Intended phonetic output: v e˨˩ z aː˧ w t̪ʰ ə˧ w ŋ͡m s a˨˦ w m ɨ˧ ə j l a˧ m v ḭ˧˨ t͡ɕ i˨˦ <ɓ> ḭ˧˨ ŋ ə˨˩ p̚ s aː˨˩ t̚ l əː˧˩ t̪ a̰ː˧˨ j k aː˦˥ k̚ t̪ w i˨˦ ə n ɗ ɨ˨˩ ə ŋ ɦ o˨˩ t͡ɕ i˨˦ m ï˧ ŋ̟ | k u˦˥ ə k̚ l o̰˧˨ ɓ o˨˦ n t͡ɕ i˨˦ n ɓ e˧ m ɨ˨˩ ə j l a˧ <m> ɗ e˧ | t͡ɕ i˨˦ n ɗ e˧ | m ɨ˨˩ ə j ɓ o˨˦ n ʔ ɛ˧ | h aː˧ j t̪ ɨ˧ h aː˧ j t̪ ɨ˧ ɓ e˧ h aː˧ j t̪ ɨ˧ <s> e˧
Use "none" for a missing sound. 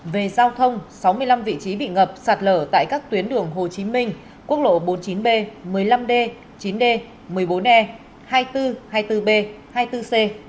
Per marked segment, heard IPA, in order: ɓ, m, s

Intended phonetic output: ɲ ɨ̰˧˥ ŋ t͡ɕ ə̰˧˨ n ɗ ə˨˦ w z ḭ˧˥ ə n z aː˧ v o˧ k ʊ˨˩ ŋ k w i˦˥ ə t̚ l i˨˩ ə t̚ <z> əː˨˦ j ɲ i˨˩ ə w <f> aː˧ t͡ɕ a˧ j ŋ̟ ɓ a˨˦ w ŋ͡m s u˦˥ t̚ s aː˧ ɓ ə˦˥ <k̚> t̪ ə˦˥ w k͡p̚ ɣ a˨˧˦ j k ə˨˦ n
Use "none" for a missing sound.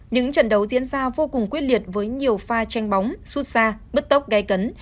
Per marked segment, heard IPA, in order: v, f, t̚

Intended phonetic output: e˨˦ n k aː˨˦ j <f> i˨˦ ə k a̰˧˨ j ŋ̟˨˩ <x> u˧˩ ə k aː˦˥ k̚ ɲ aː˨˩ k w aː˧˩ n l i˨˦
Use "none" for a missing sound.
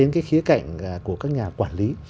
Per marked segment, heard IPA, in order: x, k

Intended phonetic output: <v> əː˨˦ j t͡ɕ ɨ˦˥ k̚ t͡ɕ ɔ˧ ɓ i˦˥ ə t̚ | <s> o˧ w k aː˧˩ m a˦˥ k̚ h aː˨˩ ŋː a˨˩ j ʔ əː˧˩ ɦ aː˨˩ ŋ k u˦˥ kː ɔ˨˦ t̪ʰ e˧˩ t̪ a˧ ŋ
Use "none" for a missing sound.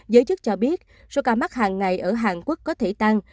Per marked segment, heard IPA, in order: z, s

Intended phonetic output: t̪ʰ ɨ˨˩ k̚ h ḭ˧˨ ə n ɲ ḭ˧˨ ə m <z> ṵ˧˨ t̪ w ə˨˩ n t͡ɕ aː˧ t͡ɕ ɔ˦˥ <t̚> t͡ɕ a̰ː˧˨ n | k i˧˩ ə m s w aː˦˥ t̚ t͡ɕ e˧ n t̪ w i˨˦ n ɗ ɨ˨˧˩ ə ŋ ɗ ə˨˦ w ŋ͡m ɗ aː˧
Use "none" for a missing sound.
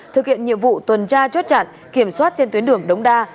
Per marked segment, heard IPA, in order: v, t̚

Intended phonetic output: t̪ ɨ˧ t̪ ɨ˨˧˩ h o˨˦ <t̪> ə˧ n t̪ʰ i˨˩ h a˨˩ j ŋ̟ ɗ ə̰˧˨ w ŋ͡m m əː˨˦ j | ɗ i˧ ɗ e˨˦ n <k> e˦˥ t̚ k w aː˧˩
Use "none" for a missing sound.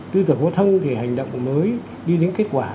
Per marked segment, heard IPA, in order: t̪ʰ, k

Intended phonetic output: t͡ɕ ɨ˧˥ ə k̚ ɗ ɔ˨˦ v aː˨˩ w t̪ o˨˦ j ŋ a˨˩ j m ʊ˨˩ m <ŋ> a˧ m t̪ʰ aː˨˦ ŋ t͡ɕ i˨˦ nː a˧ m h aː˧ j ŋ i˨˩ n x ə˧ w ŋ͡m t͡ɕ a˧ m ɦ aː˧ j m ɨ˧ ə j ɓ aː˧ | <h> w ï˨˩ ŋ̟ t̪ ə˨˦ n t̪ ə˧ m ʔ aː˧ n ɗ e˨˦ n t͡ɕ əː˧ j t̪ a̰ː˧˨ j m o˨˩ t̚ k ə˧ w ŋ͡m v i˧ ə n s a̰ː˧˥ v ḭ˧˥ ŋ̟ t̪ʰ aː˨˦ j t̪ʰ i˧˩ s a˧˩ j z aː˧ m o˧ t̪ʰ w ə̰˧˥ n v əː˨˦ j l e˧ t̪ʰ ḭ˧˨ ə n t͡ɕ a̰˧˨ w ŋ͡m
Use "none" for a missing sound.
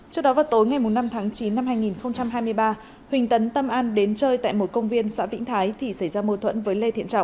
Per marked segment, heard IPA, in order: n, h

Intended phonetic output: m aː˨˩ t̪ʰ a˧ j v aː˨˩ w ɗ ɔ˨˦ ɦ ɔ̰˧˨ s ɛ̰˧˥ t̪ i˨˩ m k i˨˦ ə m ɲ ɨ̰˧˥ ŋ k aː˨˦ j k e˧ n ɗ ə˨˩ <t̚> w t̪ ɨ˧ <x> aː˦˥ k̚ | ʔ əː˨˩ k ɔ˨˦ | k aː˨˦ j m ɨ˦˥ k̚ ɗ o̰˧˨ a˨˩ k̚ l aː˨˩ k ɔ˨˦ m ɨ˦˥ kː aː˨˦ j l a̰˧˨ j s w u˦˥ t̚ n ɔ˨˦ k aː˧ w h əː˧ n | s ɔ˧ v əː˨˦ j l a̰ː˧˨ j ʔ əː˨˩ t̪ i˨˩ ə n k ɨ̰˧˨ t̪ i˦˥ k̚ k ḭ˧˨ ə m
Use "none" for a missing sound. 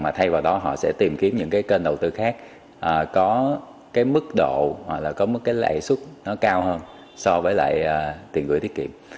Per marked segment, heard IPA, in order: none, x

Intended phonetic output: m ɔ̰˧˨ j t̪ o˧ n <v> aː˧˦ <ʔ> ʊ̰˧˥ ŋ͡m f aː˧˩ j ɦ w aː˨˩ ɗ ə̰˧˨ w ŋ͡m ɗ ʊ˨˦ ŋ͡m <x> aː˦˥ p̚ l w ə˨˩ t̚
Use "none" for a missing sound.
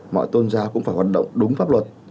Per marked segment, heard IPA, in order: z, k, f

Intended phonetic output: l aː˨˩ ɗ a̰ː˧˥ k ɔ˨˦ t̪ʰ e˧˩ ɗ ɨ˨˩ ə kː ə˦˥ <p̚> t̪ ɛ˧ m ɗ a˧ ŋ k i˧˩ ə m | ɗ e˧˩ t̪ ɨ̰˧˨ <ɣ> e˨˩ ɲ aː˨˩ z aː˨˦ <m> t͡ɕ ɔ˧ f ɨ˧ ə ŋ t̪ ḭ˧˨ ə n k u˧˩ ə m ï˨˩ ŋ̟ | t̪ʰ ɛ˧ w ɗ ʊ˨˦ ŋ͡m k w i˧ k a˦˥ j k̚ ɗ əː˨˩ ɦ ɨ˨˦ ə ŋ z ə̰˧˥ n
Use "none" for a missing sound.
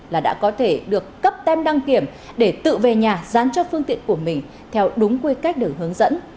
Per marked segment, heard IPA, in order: p̚, v, n

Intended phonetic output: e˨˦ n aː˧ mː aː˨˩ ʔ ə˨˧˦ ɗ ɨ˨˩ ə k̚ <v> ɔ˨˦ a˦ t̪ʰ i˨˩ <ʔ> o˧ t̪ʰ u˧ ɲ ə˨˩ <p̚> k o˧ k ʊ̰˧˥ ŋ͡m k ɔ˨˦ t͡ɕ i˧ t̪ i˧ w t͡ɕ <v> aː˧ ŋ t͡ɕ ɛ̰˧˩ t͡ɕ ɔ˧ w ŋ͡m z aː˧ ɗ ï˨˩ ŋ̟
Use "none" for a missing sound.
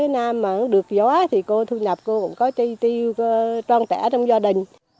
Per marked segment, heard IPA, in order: z, k, p̚, w

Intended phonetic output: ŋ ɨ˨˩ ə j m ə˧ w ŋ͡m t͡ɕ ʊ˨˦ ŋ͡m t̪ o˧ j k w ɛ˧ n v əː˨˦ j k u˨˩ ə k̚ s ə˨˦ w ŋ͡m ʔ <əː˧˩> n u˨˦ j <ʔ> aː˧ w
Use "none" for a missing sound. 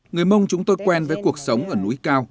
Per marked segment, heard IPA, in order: əː˧˩, k

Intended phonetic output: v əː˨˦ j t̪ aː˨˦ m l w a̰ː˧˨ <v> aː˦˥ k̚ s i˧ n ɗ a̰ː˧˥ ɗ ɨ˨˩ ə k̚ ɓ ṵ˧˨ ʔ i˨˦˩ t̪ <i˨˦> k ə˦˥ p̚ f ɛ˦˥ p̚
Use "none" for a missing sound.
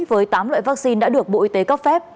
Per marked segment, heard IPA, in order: v, e˨˦

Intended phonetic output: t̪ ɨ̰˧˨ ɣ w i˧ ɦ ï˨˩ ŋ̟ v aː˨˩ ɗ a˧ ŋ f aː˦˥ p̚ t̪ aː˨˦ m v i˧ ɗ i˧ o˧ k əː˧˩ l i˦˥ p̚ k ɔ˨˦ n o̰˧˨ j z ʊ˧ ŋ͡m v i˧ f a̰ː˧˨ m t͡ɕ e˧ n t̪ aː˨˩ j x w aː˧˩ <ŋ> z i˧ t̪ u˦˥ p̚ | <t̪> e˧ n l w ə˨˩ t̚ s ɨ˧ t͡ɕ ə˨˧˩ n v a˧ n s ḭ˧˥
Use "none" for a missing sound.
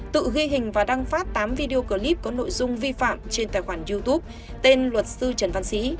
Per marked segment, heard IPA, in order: n, t̪

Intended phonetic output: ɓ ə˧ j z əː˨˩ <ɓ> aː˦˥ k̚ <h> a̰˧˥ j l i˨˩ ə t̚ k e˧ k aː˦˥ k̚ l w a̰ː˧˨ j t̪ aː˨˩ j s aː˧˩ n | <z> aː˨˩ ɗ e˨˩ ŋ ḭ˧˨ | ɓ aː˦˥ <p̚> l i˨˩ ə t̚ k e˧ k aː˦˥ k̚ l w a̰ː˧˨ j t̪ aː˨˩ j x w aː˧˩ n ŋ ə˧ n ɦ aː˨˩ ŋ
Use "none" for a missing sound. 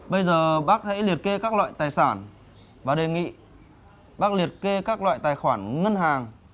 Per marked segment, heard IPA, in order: ɓ, h, v, k̚

